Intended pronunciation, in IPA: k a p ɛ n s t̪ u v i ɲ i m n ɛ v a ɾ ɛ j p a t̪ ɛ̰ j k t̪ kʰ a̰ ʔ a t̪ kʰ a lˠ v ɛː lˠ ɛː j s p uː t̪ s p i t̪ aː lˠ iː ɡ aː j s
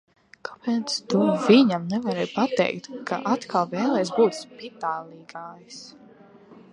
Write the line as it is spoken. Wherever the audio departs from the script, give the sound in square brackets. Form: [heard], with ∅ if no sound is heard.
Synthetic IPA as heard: k a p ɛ n s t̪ u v i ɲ [a] m n ɛ v a ɾ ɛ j p a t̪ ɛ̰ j k t̪ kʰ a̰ ʔ a t̪ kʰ a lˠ v ɛː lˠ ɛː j s [b] uː t̪ s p i t̪ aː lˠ iː ɡ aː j s